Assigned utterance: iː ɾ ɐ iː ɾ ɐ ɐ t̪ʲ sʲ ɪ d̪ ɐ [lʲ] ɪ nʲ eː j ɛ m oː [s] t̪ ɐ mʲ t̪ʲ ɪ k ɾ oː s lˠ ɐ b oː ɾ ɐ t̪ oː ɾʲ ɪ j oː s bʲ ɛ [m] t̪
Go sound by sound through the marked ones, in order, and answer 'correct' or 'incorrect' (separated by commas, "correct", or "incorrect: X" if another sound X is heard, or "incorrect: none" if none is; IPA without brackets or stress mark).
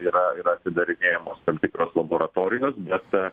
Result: incorrect: ɾʲ, correct, incorrect: none